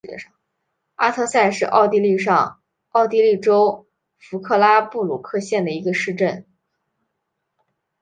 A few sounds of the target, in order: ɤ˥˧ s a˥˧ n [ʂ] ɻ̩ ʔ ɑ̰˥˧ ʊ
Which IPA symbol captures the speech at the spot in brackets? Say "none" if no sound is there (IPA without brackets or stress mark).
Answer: ʂ